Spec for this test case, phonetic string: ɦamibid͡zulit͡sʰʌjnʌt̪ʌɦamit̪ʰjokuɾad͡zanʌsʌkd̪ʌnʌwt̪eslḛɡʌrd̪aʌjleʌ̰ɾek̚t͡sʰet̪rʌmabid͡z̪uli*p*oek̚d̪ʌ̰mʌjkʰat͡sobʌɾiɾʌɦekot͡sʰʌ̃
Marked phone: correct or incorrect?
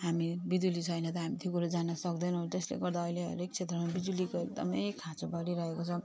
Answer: incorrect: k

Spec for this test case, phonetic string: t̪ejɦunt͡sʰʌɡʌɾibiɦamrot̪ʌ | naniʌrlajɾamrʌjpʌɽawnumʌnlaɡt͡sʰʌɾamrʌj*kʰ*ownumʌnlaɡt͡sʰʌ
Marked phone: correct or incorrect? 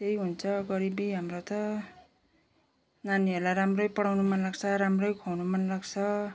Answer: correct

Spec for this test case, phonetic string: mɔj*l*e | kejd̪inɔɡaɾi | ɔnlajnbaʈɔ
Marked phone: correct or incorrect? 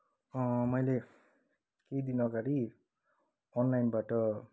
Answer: correct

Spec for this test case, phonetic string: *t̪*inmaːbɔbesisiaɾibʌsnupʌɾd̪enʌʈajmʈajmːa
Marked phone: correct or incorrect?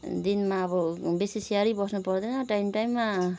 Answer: incorrect: d̪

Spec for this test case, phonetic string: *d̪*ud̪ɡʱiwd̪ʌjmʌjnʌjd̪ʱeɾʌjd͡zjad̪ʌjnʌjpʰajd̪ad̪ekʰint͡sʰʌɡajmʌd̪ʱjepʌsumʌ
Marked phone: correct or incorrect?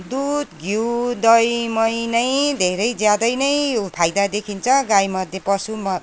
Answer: correct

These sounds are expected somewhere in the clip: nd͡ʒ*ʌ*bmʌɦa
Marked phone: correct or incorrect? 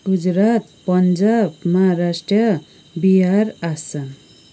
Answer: incorrect: a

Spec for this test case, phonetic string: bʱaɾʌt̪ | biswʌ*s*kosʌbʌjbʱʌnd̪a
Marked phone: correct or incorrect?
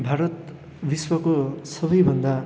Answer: incorrect: none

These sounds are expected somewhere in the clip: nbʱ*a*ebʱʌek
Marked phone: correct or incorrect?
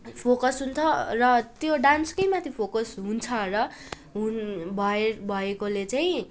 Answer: incorrect: ʌ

